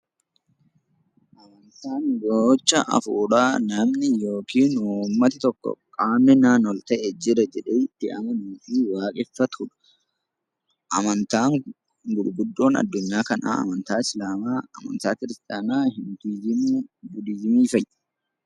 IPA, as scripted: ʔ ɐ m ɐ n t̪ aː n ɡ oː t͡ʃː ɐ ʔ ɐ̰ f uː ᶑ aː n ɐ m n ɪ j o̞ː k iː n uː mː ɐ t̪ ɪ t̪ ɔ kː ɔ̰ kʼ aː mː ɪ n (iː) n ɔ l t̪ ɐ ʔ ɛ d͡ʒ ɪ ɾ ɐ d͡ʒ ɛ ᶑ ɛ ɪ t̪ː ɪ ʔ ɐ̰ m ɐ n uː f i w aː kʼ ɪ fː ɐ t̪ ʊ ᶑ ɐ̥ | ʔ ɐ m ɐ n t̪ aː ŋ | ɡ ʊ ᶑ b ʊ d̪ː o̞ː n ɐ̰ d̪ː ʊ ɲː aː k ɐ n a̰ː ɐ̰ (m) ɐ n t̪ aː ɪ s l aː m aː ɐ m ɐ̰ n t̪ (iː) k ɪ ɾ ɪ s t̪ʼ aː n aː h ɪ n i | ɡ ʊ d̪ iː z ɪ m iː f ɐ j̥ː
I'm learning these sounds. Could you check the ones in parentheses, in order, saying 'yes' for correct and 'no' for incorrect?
no, yes, no

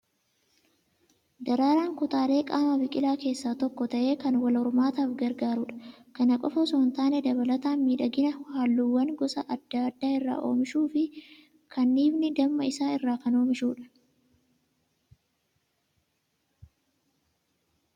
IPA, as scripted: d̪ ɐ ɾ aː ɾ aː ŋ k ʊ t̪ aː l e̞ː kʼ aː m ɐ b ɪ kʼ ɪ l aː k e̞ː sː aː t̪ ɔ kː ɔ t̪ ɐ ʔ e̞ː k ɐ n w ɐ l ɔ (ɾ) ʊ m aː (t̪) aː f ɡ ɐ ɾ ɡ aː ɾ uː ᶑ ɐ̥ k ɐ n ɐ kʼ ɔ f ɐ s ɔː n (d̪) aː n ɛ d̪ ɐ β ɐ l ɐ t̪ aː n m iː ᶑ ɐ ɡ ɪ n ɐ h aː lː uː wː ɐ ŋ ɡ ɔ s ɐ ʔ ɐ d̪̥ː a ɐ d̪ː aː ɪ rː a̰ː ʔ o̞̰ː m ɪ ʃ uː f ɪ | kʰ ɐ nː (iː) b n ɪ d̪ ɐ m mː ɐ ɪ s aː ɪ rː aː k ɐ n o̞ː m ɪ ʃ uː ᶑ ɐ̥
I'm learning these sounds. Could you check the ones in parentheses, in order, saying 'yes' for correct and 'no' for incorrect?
yes, yes, no, yes

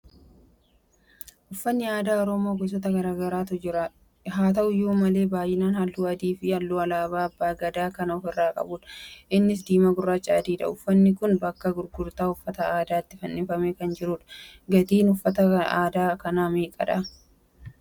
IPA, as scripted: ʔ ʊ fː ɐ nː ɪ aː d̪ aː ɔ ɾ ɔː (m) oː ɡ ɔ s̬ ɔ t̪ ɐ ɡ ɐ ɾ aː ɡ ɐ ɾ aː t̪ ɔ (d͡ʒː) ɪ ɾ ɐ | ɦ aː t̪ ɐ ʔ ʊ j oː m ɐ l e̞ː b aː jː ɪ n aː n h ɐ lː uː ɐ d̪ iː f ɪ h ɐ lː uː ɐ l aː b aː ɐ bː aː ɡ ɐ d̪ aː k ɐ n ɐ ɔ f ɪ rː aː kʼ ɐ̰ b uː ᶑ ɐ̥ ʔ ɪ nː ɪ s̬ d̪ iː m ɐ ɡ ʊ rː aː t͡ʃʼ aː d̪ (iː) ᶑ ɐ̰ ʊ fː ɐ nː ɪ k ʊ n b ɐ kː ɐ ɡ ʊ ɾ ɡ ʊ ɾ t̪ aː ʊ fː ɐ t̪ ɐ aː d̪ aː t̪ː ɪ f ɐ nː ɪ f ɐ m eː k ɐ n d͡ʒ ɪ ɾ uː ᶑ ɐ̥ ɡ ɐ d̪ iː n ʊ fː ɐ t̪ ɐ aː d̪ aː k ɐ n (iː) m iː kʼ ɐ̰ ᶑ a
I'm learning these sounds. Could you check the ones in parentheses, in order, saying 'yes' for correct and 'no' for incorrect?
yes, no, yes, no

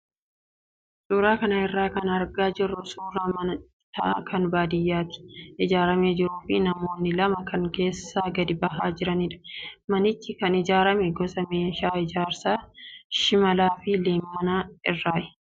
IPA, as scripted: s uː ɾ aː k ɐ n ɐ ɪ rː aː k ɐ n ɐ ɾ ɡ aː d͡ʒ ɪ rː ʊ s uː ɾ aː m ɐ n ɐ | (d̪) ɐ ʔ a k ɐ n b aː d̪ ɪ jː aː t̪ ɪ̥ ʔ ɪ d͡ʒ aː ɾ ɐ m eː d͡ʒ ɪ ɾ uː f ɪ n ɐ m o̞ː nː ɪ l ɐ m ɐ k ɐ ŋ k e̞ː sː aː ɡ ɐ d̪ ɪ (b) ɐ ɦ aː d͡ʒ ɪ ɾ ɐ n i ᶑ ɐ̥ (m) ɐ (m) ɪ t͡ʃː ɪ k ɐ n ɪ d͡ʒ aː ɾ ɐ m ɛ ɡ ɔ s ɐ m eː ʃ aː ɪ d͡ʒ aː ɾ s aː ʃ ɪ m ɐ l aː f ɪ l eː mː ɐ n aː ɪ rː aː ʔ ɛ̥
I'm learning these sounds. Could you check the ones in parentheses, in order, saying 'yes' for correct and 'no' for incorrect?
no, yes, yes, no

